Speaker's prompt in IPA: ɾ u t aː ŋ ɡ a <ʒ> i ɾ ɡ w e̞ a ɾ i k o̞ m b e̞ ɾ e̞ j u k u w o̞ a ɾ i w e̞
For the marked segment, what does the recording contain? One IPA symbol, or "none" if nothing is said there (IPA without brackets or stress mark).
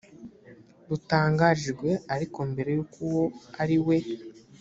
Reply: ʒ